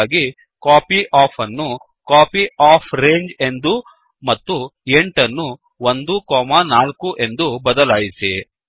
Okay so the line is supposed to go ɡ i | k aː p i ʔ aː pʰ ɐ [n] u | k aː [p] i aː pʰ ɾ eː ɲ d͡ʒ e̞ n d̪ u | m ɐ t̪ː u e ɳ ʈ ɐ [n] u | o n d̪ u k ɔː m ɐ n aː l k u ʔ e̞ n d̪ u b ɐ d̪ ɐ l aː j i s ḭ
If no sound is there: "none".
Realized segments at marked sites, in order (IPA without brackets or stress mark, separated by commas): nː, p, nː